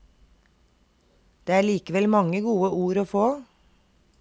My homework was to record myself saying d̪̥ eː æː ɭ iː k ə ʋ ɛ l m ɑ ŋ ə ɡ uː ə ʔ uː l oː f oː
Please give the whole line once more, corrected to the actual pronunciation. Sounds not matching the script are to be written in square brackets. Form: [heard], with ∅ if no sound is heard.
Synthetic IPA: d̪̥ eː æː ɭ iː k ə ʋ ɛ l m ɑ ŋ ə ɡ uː ə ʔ uː [ɾ] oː f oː